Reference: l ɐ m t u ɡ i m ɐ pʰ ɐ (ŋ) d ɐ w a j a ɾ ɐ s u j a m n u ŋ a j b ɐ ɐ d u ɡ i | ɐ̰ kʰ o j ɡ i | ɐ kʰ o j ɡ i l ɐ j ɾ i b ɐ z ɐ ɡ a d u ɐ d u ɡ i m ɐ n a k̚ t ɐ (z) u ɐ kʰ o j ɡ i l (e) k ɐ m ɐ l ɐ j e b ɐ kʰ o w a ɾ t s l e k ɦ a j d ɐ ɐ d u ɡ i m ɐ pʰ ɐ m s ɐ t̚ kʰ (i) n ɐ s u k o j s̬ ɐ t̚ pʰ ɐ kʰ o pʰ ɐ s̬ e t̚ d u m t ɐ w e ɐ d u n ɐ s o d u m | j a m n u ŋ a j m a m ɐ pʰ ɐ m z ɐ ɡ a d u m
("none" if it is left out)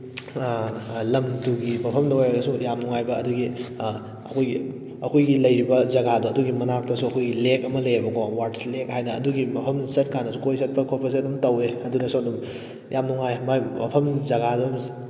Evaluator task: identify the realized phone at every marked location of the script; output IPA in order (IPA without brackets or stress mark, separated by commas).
m, s, e, a